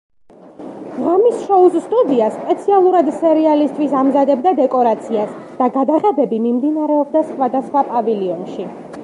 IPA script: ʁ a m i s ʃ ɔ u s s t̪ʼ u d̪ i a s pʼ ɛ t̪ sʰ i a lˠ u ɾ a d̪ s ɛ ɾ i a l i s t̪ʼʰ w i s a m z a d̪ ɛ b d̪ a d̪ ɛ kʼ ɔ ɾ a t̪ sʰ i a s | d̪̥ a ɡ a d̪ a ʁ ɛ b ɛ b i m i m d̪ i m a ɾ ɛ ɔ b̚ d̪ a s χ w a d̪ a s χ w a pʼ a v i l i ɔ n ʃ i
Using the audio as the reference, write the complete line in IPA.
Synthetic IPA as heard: ʁ a m i s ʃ ɔ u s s t̪ʼ u d̪ i a s pʼ ɛ t̪ sʰ i a lˠ u ɾ a d̪ s ɛ ɾ i a l i s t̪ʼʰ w i s a m z a d̪ ɛ b d̪ a d̪ ɛ kʼ ɔ ɾ a t̪ sʰ i a s | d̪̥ a ɡ a d̪ a ʁ ɛ b ɛ b i m i m d̪ i n a ɾ ɛ ɔ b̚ d̪ a s χ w a d̪ a s χ w a pʼ a v i l i ɔ n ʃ i

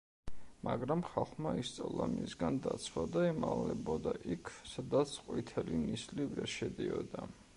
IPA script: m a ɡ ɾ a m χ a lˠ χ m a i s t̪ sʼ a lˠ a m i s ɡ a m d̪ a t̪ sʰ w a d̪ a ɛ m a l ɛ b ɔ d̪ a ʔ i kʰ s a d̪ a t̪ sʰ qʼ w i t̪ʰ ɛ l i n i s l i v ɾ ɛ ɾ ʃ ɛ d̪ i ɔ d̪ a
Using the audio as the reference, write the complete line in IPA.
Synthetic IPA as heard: m a ɡ ɾ a m χ a lˠ χ m a i s t̪ sʼ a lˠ a m i s ɡ a n d̪ a t̪ sʰ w a d̪ a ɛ m a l ɛ b ɔ d̪ a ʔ i kʰ s a d̪ a t̪ sʰ qʼ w i t̪ʰ ɛ l i n i s l i v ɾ ɛ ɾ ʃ ɛ d̪ i ɔ d̪ a

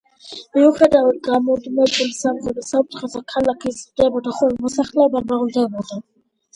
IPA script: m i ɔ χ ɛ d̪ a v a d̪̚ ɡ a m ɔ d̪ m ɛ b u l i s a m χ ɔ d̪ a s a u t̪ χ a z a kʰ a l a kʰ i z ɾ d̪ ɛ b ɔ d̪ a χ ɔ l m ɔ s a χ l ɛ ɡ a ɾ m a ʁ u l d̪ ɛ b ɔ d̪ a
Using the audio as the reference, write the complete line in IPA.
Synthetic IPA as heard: m i u χ ɛ d̪ a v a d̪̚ ɡ a m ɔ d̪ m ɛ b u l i s a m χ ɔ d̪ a s a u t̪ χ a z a kʰ a l a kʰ i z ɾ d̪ ɛ b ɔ d̪ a χ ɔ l m ɔ s a χ l ɛ b a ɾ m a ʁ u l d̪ ɛ b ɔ d̪ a

